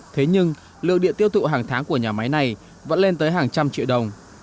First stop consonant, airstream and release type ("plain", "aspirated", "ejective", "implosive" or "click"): aspirated